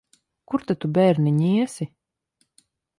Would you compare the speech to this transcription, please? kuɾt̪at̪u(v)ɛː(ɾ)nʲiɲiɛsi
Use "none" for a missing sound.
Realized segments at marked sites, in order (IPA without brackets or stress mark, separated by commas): b, ɾ